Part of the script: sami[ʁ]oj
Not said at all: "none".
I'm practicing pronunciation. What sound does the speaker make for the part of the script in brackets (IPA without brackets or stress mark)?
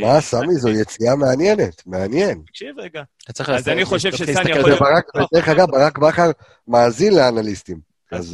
z